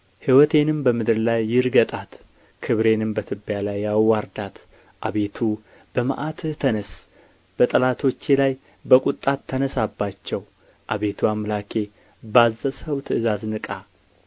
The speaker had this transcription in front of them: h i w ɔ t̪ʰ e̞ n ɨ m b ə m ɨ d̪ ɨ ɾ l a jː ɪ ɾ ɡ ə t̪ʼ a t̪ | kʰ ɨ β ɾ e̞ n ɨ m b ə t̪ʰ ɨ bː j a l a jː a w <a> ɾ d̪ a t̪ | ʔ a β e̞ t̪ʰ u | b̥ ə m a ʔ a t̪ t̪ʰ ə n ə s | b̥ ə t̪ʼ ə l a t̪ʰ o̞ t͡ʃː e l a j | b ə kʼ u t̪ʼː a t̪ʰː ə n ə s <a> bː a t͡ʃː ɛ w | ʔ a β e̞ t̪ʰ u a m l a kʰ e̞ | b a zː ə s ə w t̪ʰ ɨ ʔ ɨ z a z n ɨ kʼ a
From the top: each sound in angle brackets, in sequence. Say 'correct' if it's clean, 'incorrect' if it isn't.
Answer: correct, correct

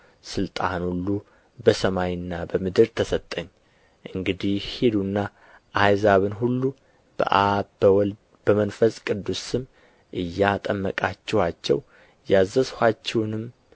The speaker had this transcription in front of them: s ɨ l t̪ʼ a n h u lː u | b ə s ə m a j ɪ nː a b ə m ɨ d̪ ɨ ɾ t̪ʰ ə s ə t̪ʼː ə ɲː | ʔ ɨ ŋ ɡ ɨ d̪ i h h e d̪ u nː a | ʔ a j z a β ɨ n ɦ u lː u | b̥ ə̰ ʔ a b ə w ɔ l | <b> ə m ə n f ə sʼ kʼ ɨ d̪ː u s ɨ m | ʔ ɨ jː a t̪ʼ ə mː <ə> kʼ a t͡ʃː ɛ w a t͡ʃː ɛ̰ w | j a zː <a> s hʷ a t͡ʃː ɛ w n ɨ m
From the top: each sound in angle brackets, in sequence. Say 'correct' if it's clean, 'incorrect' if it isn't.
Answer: correct, correct, incorrect: ə

